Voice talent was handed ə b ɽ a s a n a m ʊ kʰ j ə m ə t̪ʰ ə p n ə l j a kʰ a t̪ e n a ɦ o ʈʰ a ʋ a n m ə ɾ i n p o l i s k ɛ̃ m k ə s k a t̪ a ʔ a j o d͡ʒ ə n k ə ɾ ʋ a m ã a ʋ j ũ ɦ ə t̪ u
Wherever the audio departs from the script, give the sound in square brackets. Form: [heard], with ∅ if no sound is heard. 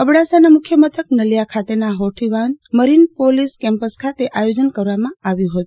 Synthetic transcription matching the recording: ə b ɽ a s a n a m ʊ kʰ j ə m ə t̪ʰ ə [k] n ə l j a kʰ a t̪ e n a ɦ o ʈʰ [i] ʋ a n m ə ɾ i n p o l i s k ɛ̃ m [p] ə s [kʰ] a t̪ [e] ʔ a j o d͡ʒ ə n k ə ɾ ʋ a m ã a ʋ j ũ ɦ ə t̪ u

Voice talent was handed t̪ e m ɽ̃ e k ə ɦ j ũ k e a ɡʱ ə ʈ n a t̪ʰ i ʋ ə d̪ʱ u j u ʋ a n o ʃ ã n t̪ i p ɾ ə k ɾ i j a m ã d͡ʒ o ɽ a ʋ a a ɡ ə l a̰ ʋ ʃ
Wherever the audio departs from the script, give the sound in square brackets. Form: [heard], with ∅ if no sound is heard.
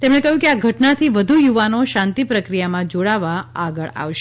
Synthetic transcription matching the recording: t̪ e m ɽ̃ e k ə ɦ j ũ k e a ɡʱ ə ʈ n a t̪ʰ i ʋ ə d̪ʱ u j u ʋ a n o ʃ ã n t̪ i p ɾ ə k ɾ i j a m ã d͡ʒ o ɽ a ʋ a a ɡ ə [ɭ] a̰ ʋ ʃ

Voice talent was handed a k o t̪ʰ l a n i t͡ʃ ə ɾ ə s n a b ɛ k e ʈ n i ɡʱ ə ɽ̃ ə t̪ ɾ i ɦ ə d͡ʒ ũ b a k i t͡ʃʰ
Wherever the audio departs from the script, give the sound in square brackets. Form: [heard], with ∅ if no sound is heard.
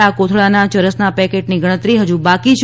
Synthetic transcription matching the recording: a k o t̪ʰ [ɭ] a n [a] t͡ʃ ə ɾ ə s n a [p] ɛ k e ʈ n i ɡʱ ə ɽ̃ ə t̪ ɾ i ɦ ə d͡ʒ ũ b a k i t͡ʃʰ

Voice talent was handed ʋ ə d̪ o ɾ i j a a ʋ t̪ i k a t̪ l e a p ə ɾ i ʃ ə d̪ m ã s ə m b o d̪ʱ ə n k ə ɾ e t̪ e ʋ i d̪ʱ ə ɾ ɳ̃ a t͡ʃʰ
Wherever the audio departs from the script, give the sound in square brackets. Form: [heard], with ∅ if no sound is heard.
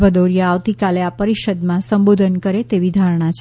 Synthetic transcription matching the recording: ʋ ə d̪ o ɾ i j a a ʋ t̪ i k a [∅] l e a p ə ɾ i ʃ ə d̪ m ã s ə m b o d̪ʱ ə n k ə ɾ e t̪ e ʋ i d̪ʱ [a] ɾ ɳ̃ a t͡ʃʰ

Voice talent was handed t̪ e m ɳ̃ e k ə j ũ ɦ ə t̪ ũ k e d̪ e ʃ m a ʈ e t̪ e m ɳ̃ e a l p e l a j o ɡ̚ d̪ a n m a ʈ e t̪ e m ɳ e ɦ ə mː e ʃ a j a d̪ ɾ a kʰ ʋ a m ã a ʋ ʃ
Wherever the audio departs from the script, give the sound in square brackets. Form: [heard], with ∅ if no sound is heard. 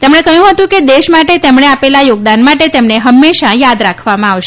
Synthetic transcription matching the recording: t̪ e m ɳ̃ e k ə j ũ ɦ ə t̪ ũ k e d̪ e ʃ m a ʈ e t̪ e m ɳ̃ e a [∅] p e l a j o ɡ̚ d̪ a n m a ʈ e t̪ e m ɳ e ɦ ə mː e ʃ a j a d̪ ɾ a kʰ ʋ a m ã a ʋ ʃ

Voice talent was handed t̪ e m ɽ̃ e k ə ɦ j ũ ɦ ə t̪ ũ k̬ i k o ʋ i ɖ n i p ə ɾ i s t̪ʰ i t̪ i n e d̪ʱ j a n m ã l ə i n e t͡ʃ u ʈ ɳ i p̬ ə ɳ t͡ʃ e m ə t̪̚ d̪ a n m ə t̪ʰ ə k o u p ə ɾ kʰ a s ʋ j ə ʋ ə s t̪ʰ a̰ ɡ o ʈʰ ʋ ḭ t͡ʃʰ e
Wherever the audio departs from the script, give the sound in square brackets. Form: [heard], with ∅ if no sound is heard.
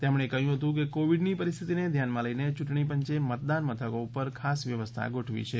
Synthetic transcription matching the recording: t̪ e m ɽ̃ e k ə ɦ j ũ ɦ ə t̪ ũ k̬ [e] k o ʋ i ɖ n i p ə ɾ i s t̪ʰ i t̪ i n e d̪ʱ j a n m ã l ə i n e t͡ʃ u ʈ ɳ i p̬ ə [ɲ] t͡ʃ e m ə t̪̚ d̪ a n m ə t̪ʰ ə k o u p ə ɾ kʰ a s ʋ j ə ʋ ə s t̪ʰ a̰ ɡ o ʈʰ ʋ ḭ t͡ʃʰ e

